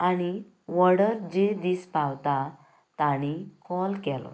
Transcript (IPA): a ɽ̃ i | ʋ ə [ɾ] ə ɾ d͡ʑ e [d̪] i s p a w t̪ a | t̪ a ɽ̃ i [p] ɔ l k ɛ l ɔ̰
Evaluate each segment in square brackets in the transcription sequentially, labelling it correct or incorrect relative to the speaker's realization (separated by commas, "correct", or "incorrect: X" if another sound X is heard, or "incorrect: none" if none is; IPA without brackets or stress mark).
incorrect: ɽ, correct, incorrect: k